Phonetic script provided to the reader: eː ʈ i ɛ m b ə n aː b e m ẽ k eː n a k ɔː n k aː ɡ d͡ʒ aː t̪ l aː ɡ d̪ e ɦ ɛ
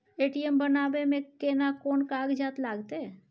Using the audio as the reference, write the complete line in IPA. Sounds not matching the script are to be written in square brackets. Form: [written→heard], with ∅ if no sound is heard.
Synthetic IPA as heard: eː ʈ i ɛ m b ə n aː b e m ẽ k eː n a k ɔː n k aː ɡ d͡ʒ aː t̪ l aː ɡ [d̪→t̪] e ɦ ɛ